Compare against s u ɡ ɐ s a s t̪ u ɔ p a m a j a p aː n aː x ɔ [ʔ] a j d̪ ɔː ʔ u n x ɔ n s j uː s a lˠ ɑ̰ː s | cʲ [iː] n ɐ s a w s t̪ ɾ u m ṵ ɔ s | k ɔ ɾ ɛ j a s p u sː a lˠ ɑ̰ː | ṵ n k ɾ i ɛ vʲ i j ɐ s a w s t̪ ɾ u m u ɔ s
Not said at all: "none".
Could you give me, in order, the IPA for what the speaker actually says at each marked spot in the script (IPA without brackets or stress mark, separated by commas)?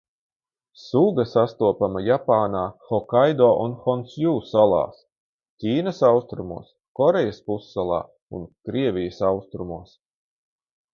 k, iː